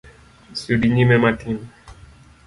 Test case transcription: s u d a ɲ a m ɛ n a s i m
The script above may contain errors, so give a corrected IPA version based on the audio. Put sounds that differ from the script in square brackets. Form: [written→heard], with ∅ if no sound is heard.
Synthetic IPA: s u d [a→i] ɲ [a→i] m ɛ [n→m] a [s→t] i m